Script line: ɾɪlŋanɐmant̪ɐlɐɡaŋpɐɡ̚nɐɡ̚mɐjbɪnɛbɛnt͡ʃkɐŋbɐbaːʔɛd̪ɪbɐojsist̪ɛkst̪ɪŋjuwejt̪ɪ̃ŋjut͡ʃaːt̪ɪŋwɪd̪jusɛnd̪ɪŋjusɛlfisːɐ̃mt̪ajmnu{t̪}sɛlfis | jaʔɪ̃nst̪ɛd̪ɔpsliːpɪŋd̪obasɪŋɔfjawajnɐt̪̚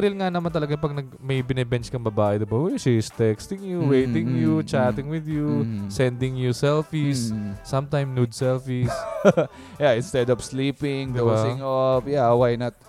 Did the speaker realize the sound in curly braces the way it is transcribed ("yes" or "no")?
no